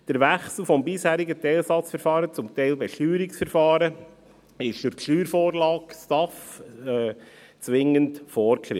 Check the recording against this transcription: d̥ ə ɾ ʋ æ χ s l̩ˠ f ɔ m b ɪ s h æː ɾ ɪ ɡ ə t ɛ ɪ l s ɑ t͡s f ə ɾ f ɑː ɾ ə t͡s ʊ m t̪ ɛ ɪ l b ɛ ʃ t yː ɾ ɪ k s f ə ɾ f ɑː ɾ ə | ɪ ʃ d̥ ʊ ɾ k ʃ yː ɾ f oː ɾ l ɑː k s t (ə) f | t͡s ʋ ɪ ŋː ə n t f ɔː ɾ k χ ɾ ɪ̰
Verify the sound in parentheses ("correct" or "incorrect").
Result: incorrect